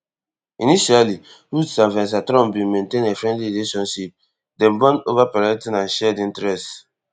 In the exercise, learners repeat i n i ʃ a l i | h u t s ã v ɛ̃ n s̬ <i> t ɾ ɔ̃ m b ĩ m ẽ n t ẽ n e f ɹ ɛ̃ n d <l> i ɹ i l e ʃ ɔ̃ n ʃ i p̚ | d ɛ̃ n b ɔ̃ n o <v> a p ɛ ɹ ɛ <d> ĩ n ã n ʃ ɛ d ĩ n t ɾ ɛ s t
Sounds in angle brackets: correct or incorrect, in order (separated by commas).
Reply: incorrect, correct, correct, incorrect